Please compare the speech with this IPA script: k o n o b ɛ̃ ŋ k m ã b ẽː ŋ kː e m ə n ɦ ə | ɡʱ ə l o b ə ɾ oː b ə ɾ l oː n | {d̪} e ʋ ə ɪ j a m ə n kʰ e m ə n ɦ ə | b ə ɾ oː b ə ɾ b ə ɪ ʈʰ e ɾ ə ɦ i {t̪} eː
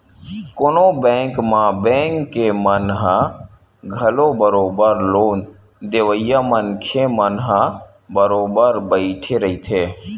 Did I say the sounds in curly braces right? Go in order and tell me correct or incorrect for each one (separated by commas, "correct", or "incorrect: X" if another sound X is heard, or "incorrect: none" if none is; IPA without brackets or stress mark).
correct, incorrect: t̪ʰ